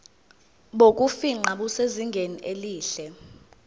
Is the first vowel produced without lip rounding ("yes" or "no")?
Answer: no